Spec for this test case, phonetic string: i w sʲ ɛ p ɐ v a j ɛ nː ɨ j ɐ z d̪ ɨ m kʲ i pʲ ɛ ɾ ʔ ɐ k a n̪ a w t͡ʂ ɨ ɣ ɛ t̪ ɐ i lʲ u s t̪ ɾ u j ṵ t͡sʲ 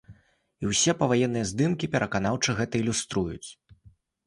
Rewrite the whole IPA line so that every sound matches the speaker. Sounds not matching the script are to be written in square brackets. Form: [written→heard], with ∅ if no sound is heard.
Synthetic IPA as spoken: i w sʲ ɛ p ɐ v a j ɛ nː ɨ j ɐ z d̪ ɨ m kʲ i pʲ ɛ ɾ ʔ ɐ k a n̪ a w t͡ʂ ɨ ɣ ɛ t̪ ɐ i lʲ u s t̪ ɾ u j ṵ t͡sʲ